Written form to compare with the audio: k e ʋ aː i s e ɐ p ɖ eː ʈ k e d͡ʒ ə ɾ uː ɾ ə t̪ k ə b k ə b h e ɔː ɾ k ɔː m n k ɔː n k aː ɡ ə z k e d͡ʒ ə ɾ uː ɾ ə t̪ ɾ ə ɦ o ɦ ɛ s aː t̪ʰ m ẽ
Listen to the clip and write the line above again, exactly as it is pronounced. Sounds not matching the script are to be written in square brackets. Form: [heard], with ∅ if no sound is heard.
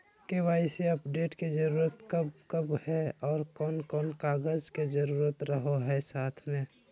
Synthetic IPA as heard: k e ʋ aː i s e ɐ p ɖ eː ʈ k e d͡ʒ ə ɾ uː ɾ ə t̪ k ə b k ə b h [ɛ] ɔː ɾ k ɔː [∅] n k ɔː n k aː ɡ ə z k e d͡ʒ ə ɾ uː ɾ ə t̪ ɾ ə ɦ o ɦ ɛ s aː t̪ʰ m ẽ